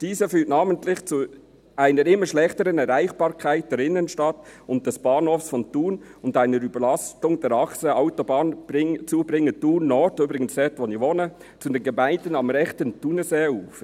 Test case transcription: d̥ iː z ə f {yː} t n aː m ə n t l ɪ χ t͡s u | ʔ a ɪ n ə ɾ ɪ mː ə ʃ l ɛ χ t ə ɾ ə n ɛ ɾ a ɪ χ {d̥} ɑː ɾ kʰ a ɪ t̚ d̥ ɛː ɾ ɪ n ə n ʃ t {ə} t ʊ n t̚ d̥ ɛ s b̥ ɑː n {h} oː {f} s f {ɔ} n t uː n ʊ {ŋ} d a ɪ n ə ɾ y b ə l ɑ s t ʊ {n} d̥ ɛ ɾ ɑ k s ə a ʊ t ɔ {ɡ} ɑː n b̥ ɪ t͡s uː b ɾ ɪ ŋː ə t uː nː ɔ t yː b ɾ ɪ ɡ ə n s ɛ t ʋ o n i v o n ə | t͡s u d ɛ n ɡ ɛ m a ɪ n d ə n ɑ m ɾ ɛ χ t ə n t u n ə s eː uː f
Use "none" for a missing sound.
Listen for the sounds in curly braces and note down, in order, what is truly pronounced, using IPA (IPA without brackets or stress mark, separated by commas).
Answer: yː, b̥, ɑ, h, f, ɔ, n, ŋ, b